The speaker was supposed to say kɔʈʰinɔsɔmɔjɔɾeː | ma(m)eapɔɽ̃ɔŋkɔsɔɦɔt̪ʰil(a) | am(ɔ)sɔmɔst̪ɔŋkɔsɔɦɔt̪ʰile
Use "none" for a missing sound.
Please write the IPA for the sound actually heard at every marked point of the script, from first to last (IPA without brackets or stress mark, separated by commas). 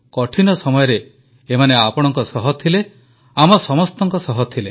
n, e, ɔ